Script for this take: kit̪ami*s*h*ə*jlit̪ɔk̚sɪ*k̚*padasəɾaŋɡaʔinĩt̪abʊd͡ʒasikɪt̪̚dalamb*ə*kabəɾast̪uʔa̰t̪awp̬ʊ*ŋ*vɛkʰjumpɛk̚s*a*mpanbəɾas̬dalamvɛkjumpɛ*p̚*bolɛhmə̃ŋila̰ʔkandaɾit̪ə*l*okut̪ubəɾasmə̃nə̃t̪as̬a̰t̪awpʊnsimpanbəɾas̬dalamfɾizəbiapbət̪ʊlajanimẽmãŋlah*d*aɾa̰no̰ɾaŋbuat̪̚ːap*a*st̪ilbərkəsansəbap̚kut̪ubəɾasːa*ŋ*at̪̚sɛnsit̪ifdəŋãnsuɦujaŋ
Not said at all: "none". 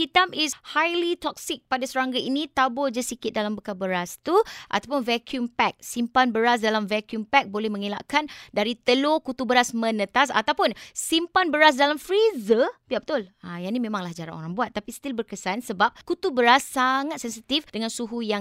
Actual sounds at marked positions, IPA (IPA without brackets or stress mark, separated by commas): s, a, k̚, ə, n, i, k̚, l, d͡ʒ, i, ŋ